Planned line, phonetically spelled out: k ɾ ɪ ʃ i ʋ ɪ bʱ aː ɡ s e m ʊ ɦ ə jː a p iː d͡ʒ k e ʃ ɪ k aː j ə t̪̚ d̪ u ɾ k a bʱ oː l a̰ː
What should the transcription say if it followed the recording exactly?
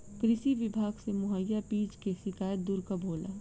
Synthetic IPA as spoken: k ɾ ɪ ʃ i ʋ ɪ bʱ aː ɡ s e m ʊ ɦ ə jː a p iː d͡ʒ k e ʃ ɪ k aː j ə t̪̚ d̪ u ɾ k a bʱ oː l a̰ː